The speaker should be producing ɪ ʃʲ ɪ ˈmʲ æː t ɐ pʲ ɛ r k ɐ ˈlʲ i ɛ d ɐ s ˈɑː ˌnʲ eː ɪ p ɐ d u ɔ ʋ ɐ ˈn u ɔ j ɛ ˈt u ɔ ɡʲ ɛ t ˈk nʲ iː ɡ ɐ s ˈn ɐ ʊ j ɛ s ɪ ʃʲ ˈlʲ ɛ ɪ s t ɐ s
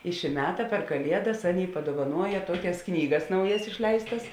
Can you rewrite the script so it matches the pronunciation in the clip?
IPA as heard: ɪ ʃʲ ɪ ˈmʲ æː t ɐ pʲ ɛ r k ɐ ˈlʲ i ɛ d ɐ s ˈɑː ˌnʲ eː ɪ p ɐ d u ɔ ʋ ɐ ˈn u ɔ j ɛ ˈt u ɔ kʲ ɛ s ˈk nʲ iː ɡ ɐ s ˈn ɐ ʊ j ɛ s ɪ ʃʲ ˈlʲ ɛ ɪ s t ɐ s